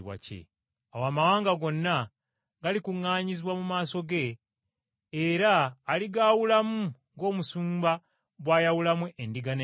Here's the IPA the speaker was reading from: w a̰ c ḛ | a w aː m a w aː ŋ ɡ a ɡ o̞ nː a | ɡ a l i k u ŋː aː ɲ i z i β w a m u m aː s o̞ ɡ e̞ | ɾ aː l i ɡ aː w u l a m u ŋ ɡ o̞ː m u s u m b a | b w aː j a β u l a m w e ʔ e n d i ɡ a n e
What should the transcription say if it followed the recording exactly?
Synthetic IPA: w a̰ c ḛ | a w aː m a w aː ŋ ɡ a ɡ o̞ nː a | ɡ a l i k u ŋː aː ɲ i z i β w a m u m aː s o̞ ɡ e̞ | ɾ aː l i ɡ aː w u l a m u ŋ ɡ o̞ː m u s uː m b a | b w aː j a w u l a m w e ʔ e n d i ɡ a n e